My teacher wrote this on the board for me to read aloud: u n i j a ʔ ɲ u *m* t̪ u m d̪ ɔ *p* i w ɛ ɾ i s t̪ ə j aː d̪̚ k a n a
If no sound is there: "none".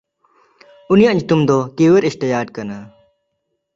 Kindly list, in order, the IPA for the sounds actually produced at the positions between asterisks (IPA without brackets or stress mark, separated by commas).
none, k